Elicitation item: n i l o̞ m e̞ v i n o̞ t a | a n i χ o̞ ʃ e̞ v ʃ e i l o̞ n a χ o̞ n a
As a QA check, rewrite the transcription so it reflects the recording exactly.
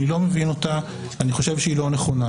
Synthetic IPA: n i l o̞ m e̞ v i n o̞ t a | a n i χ o̞ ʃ e̞ v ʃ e i l o̞ n e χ o̞ n a